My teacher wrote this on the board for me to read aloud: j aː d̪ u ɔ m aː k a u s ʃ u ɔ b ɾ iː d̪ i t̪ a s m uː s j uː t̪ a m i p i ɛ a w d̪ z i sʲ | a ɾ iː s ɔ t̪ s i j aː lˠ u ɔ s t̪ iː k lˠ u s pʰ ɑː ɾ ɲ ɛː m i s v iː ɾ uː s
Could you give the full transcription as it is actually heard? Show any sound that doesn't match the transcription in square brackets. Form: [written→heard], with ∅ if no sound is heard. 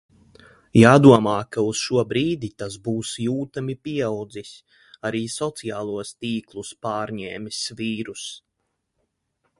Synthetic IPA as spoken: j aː d̪ u ɔ m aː k a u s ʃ u ɔ b ɾ iː d̪ i t̪ a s [m→b] uː s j uː t̪ a m i p i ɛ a w d̪ z i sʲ | a ɾ iː s ɔ t̪ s i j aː lˠ u ɔ s t̪ iː k lˠ u s [pʰ→p] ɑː ɾ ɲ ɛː m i s v iː ɾ [uː→u] s